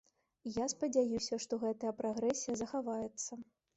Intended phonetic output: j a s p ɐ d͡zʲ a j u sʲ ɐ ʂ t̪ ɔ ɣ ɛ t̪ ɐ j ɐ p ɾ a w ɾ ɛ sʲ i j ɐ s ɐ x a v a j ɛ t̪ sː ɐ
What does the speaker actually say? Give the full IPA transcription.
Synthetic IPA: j a s p ɐ d͡zʲ a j u sʲ ɐ ʂ t̪ ɔ ɣ ɛ t̪ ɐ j ɐ p ɾ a ɣ ɾ ɛ sʲ i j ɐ z ɐ x a v a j ɛ t̪ sː ɐ